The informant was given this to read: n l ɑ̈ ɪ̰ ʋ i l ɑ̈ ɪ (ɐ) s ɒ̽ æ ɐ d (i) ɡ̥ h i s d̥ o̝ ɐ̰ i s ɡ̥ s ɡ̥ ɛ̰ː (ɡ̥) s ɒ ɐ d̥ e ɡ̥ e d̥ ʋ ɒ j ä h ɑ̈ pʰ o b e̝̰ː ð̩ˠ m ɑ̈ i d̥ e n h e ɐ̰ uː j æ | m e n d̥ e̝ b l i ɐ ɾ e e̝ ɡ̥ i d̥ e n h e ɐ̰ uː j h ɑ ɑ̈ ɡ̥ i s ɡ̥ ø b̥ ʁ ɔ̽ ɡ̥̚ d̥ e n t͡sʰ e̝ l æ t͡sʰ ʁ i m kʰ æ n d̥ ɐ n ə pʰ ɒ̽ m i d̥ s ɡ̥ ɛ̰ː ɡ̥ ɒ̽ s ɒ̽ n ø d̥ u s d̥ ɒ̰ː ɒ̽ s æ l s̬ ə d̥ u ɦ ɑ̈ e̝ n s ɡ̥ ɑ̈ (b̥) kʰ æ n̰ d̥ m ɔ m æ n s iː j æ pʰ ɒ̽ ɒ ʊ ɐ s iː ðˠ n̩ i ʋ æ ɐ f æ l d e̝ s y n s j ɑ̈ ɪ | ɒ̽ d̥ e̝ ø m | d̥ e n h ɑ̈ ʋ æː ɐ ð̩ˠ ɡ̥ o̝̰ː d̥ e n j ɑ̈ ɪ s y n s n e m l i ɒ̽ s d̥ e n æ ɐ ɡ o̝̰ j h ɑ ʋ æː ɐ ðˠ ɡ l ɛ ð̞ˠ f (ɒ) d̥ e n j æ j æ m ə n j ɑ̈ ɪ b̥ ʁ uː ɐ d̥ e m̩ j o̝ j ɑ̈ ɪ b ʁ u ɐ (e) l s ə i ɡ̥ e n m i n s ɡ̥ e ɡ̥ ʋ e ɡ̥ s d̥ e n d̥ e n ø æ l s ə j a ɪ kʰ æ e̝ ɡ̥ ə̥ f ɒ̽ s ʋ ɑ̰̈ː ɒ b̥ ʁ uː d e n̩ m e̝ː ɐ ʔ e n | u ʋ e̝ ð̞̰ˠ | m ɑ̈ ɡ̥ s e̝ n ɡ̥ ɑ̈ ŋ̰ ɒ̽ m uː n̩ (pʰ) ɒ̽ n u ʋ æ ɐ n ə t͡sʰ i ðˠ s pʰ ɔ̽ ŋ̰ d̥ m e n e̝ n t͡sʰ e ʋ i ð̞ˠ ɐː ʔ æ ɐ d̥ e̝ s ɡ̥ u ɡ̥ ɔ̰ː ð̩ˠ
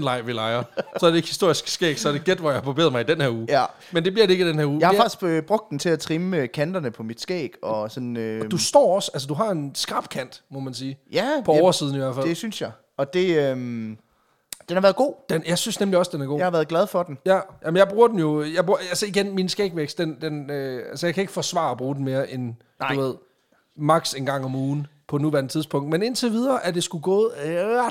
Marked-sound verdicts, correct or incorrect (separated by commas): correct, incorrect, correct, correct, correct, incorrect, correct